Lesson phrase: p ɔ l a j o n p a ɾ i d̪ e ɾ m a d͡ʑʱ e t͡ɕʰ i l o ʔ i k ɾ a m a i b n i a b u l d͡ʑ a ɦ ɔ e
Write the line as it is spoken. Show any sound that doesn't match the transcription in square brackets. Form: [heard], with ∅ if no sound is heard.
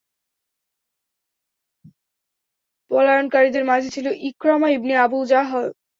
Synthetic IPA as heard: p ɔ l a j o n [k] a ɾ i d̪ e ɾ m a d͡ʑʱ e t͡ɕʰ i l o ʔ i k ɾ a m a i b n i a b u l d͡ʑ a ɦ ɔ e